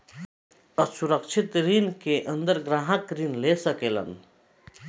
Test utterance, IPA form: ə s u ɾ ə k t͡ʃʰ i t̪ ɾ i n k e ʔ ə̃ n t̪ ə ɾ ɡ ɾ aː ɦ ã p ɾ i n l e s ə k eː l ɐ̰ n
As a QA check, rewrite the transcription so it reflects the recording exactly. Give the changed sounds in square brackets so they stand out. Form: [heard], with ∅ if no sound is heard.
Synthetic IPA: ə s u ɾ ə k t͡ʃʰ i t̪ ɾ i n k e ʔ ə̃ n [d̪] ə ɾ ɡ ɾ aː ɦ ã [k] ɾ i n l e s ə k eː l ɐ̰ n